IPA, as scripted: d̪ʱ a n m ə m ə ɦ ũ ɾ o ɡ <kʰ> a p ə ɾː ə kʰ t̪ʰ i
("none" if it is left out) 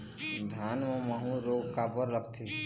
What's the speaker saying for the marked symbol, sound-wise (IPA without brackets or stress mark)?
k